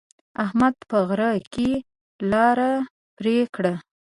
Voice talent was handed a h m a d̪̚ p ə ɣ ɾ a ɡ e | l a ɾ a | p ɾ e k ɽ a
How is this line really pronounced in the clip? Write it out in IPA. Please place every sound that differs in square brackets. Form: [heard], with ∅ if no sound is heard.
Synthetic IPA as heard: a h m a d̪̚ p ə ɣ ɾ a [k] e | l [ɑ] ɾ a | p ɾ e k ɽ a